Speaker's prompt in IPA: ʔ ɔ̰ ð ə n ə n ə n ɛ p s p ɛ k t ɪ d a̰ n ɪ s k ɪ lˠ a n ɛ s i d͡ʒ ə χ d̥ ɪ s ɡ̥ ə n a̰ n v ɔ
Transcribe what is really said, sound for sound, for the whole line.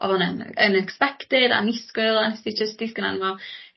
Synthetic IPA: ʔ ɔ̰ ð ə n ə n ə n ɛ k s p ɛ k t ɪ d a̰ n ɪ s k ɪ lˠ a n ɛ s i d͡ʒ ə s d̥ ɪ s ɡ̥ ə n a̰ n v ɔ